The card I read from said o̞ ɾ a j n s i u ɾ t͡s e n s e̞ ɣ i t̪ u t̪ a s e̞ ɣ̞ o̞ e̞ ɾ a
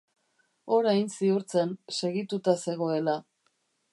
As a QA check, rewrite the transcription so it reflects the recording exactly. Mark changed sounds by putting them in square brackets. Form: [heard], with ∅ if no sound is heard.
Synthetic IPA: o̞ ɾ a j n s i u ɾ t͡s e n s e̞ ɣ i t̪ u t̪ a s e̞ ɣ̞ o̞ e̞ [l] a